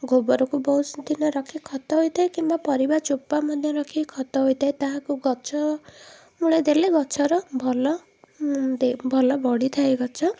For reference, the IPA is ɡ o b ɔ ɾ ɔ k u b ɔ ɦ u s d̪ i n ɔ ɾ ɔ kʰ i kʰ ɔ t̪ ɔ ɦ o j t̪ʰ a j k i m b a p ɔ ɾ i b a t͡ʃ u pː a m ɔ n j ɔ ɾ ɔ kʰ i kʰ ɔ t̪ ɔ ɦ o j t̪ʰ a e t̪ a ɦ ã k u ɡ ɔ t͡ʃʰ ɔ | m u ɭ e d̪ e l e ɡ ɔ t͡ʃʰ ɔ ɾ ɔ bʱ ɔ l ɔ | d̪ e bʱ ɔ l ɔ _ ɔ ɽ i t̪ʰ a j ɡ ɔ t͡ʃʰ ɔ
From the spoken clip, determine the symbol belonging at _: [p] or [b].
b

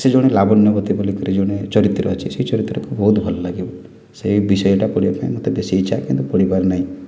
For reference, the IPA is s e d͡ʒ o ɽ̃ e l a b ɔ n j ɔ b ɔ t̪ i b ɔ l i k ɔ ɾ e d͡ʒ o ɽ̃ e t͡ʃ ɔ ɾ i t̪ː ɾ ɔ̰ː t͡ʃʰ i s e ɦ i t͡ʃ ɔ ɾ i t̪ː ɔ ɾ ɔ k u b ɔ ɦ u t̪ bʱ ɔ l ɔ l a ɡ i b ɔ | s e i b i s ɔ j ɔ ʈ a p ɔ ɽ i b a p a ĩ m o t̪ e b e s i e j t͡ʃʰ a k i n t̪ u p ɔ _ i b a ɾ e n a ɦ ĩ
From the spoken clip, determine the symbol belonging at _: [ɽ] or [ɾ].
ɽ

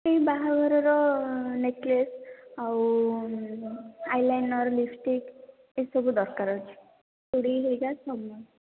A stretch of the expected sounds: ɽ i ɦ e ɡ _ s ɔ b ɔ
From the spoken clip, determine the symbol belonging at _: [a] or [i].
a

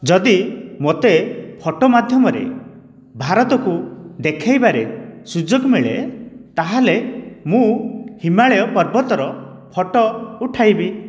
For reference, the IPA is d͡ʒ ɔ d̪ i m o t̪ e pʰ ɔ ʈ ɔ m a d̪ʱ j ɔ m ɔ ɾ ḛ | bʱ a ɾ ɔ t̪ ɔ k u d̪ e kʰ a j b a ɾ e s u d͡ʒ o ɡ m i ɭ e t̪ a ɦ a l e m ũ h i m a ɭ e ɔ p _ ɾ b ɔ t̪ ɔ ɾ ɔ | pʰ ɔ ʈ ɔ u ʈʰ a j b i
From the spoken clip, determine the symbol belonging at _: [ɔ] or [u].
ɔ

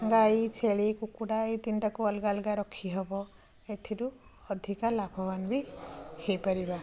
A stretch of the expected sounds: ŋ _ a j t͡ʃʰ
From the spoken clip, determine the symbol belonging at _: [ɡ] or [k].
ɡ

